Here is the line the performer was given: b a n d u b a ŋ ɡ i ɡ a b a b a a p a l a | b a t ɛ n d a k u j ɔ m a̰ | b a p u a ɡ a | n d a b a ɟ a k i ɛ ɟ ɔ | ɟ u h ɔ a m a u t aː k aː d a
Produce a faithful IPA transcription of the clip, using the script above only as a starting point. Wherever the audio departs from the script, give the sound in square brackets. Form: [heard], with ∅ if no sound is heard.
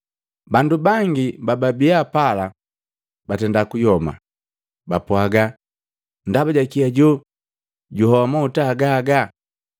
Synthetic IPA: b a n d u b a ŋ ɡ i [b] a b a b [i] a p a l a | b a t ɛ n d a k u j ɔ m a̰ | b a p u a ɡ a | n d a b a ɟ a k i [a] ɟ ɔ | ɟ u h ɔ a m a u t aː [ɡ] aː [ɡ] a

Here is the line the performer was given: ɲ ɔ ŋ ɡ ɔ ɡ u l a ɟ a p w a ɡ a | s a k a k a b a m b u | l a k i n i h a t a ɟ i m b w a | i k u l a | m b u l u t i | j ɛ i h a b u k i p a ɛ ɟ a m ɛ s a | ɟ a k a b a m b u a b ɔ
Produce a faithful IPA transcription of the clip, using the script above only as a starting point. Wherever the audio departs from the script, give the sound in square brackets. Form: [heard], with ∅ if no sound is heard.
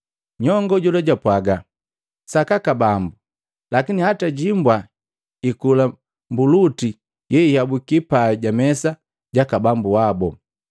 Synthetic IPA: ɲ ɔ ŋ ɡ ɔ [ɟ] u l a ɟ a p w a ɡ a | s a k a k a b a m b u | l a k i n i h a t a ɟ i m b w a | i k u l a | m b u l u t i | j ɛ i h a b u k i p a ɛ ɟ a m ɛ s a | ɟ a k a b a m b u a b ɔ

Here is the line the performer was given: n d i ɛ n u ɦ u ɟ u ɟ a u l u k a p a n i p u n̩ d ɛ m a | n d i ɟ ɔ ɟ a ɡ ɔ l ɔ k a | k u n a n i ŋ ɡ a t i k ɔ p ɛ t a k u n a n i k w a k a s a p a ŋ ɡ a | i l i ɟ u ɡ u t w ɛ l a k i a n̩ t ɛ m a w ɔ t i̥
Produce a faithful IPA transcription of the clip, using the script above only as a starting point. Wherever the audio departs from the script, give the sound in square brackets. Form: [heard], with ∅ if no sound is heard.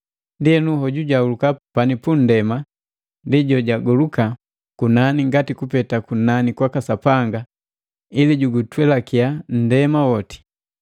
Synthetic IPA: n d i ɛ n u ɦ [ɔ] ɟ u ɟ a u l u k a p a n i p u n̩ d ɛ m a | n d i ɟ ɔ ɟ a ɡ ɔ l [u] k a | k u n a n i ŋ ɡ a t i k [u] p ɛ t a k u n a n i k w a k a s a p a ŋ ɡ a | i l i ɟ u ɡ u t w ɛ l a k i a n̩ [d] ɛ m a w ɔ t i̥

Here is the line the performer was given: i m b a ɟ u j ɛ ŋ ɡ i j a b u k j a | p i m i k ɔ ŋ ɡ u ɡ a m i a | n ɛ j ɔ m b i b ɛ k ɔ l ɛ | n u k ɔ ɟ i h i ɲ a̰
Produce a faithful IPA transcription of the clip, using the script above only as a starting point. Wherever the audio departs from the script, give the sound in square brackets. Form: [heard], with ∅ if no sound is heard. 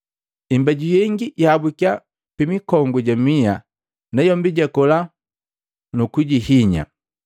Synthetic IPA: i m b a ɟ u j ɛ ŋ ɡ i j a b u k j a | p i m i k ɔ ŋ ɡ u [ɟ] a m i a | n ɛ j ɔ m b i [ɟ] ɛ k ɔ l [a] | n u k [u] ɟ i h i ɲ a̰

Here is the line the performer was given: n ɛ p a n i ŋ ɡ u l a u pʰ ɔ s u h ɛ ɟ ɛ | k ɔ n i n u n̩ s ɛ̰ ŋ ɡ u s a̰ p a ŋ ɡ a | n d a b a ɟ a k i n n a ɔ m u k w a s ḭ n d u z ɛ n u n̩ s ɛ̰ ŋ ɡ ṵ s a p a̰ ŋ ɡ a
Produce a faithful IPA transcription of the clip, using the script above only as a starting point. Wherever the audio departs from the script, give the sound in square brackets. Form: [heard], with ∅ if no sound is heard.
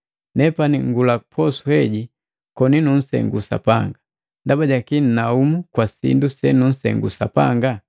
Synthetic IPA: n ɛ p a n i ŋ ɡ u l a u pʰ ɔ s u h ɛ ɟ [i] | k ɔ n i n u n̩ s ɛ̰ ŋ ɡ u s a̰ p a ŋ ɡ a | n d a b a ɟ a k i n n a [u] m u k w a s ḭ n d u [s] ɛ n u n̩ s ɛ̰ ŋ ɡ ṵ s a p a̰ ŋ ɡ a

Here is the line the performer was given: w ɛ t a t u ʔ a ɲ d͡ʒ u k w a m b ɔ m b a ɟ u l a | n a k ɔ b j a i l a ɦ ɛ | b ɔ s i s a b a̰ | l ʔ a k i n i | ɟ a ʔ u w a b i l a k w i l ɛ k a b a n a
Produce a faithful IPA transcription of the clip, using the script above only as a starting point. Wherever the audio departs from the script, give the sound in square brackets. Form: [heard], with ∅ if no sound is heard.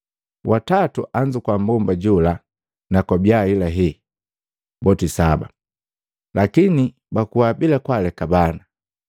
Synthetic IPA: w [a] t a t u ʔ a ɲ d͡ʒ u k w a m b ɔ m b a ɟ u l a | n a k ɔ b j a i l a ɦ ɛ | b ɔ [t] i s a b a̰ | l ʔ a k i n i | [b] a [k] u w a b i l a k w [a] l ɛ k a b a n a

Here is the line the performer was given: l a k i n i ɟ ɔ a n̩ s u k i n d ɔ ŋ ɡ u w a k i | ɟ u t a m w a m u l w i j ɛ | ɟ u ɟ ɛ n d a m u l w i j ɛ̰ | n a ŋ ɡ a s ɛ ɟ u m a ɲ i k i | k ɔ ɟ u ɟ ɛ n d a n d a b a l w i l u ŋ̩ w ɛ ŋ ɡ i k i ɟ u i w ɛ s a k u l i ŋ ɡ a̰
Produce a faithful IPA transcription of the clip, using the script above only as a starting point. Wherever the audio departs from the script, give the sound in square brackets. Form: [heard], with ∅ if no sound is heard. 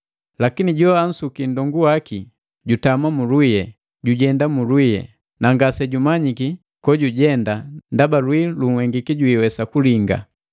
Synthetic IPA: l a k i n i ɟ ɔ a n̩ s u k i n d ɔ ŋ ɡ u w a k i | ɟ u t a m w a m u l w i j ɛ | ɟ u ɟ ɛ n d a m u l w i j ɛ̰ | n a ŋ ɡ a s ɛ ɟ u m a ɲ i k i | k ɔ ɟ u ɟ ɛ n d a n d a b a l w i l u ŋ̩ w ɛ ŋ ɡ i k i ɟ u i w ɛ s a k u l i ŋ ɡ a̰

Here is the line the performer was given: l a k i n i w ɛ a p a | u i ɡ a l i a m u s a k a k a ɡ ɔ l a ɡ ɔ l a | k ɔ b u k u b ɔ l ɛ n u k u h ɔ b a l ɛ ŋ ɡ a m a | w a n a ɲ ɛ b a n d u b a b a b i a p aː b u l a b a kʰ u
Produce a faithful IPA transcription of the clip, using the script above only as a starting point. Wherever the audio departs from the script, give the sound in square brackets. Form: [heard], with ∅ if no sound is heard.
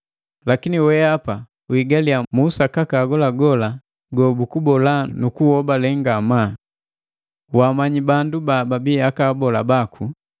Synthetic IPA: l a k i n i w ɛ a p a | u i ɡ a l i a m u s a k a k a ɡ ɔ l a ɡ ɔ l a | [ɡ] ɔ b u k u b ɔ l [a] n u k u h ɔ b a l ɛ ŋ ɡ a m a | w a [m] a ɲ [i] b a n d u b a b a b i a [k] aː b [ɔ] l a b a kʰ u

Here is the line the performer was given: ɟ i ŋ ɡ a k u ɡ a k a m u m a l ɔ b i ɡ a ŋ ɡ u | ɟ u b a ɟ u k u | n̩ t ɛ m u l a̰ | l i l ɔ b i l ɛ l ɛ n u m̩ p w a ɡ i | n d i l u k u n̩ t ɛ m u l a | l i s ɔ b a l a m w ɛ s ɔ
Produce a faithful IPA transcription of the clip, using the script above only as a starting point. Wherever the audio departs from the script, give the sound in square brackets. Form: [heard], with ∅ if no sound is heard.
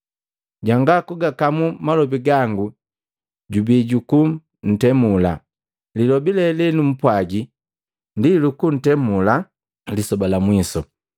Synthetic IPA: ɟ [a] ŋ ɡ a k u ɡ a k a m u m a l ɔ b i ɡ a ŋ ɡ u | ɟ u b [i] ɟ u k u | n̩ t ɛ m u l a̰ | l i l ɔ b i l ɛ l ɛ n u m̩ p w a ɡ i | n d i l u k u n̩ t ɛ m u l a | l i s ɔ b a l a m w [i] s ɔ

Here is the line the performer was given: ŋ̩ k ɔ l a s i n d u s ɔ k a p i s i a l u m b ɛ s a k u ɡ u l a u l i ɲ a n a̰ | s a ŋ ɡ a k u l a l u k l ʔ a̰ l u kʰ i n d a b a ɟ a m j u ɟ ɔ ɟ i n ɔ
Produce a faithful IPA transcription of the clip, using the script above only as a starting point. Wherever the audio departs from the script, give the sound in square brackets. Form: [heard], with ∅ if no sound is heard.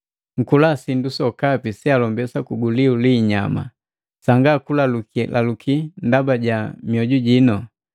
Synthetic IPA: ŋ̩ k [u] l a s i n d u s ɔ k a p i s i a l [ɔ] m b ɛ s a k u ɡ u l [i] u l i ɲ a [m] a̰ | s a ŋ ɡ a k u l a l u k l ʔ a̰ l u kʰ i n d a b a ɟ a m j [ɔ] ɟ [u] ɟ i n ɔ

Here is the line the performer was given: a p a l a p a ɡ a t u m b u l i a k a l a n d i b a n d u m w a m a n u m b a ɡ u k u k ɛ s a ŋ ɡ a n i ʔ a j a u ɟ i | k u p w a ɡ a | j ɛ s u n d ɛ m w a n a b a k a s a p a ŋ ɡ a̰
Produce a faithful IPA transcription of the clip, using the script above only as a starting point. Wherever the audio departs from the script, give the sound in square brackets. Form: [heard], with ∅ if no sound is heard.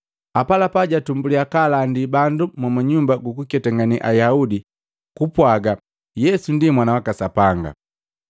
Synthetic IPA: a p a l a p a [ɟ] a t u m b u l i a k a l a n d i b a n d u m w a m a [ɲ] u m b a ɡ u k u k ɛ [t] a ŋ ɡ a n i ʔ a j a u [d] i | k u p w a ɡ a | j ɛ s u n d [i] m w a n a [w] a k a s a p a ŋ ɡ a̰

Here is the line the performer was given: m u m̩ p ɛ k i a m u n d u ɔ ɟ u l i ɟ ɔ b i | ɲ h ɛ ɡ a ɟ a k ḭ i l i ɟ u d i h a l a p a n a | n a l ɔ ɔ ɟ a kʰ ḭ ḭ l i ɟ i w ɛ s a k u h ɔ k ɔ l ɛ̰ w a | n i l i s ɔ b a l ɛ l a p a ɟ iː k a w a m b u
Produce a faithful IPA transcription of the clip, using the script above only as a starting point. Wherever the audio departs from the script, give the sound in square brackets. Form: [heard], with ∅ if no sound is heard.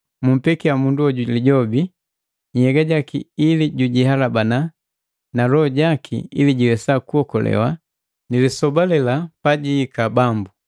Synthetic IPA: m u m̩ p ɛ k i a m u n d u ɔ ɟ u l i ɟ ɔ b i | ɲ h ɛ ɡ a ɟ a k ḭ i l i ɟ u [ɟ] i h a l a [b] a n a | n a l ɔ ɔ ɟ a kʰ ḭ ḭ l i ɟ i w ɛ s a k u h ɔ k ɔ l ɛ̰ w a | n i l i s ɔ b a l ɛ l a p a ɟ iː k a [b] a m b u

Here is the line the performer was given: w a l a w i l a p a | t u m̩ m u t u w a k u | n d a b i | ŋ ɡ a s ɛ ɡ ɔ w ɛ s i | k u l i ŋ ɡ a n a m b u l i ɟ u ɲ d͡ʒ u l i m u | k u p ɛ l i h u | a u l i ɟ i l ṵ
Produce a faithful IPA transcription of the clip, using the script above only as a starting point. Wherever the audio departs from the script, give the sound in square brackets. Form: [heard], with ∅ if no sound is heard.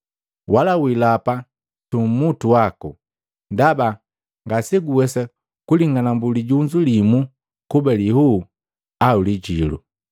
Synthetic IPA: w a l a w i l a p a | t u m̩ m u t u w a k u | n d a b [a] | ŋ ɡ a s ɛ ɡ [u] w ɛ s [a] | k u l i ŋ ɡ a n a m b u l i ɟ u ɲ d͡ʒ u l i m u | k u [b] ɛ l i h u | a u l i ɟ i l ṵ

